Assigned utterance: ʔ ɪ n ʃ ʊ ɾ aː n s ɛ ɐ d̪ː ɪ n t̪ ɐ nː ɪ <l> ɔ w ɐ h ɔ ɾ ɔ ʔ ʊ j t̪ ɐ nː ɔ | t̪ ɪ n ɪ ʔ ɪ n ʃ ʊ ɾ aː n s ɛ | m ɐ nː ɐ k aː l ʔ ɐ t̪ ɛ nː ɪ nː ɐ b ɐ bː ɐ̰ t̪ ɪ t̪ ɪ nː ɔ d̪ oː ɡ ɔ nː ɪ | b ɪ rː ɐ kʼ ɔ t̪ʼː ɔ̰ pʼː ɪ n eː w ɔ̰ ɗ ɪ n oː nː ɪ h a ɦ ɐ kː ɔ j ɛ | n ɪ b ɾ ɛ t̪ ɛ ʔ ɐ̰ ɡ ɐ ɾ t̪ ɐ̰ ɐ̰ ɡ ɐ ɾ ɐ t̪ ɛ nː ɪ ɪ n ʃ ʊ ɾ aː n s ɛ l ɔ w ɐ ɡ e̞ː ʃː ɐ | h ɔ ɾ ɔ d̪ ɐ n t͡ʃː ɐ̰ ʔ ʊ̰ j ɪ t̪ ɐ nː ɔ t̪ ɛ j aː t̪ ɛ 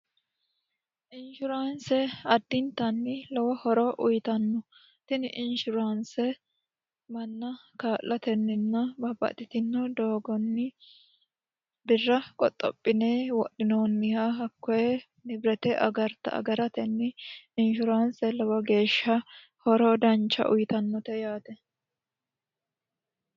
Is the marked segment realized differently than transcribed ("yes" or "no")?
no